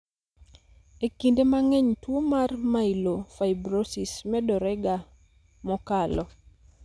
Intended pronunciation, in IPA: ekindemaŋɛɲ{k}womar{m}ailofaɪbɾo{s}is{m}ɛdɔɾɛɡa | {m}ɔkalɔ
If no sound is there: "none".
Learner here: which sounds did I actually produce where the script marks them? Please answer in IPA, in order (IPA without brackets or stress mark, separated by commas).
t, m, s, m, m